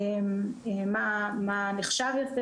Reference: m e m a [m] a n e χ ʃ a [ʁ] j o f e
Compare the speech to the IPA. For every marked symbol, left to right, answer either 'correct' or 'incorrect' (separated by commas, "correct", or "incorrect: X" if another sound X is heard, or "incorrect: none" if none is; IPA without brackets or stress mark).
correct, incorrect: v